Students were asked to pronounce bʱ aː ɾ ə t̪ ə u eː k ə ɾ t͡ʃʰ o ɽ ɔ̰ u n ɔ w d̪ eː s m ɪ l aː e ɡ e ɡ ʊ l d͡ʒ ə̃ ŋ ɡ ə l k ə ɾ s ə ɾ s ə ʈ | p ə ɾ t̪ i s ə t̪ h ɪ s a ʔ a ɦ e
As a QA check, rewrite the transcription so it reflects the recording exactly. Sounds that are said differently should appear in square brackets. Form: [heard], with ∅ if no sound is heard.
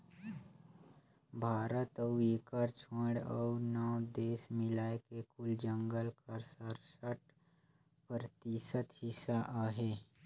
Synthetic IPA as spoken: bʱ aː ɾ ə t̪ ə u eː k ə ɾ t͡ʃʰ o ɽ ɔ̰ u n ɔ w d̪ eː s m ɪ l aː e [k] e [k] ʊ l d͡ʒ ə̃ ŋ ɡ ə l k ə ɾ s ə ɾ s ə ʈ | p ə ɾ t̪ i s ə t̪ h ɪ s a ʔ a ɦ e